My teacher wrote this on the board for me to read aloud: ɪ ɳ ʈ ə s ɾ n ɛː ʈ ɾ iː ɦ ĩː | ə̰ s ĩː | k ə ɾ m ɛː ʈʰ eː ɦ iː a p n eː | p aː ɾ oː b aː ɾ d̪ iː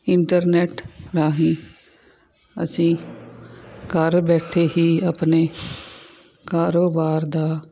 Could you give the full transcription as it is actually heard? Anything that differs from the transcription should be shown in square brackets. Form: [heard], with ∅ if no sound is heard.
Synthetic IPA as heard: ɪ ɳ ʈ ə [∅] ɾ n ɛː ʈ ɾ [aː] ɦ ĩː | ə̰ s ĩː | k ə ɾ [b] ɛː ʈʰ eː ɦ iː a p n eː | [k] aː ɾ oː b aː ɾ d̪ [aː]